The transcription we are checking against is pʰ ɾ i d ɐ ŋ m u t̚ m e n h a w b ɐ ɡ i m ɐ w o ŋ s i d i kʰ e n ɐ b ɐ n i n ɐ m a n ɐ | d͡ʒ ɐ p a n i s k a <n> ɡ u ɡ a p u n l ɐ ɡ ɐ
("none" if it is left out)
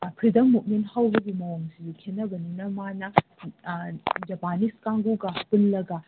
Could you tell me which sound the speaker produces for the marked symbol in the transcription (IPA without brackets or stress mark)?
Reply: ŋ